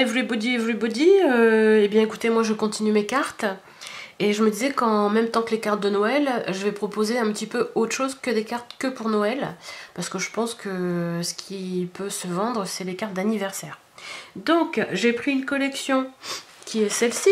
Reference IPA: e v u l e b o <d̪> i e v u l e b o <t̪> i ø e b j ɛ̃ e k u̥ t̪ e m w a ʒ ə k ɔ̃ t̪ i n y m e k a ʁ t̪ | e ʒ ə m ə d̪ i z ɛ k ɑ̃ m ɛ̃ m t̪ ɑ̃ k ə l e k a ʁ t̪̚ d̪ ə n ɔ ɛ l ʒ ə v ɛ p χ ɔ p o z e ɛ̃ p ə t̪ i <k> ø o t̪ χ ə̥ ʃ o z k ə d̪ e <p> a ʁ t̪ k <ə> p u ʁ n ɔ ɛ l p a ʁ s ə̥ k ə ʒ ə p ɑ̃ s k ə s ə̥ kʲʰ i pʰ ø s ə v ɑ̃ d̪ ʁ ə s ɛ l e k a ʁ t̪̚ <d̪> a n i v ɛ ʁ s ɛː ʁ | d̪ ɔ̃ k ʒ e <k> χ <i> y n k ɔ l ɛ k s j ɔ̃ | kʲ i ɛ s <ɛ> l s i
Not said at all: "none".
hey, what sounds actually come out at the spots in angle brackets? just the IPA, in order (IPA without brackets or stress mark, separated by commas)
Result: d̪, d̪, p, k, ə, d̪, p, i, ɛ